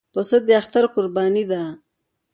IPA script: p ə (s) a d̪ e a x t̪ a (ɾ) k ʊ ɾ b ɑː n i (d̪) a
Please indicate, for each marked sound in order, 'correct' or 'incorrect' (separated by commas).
correct, correct, correct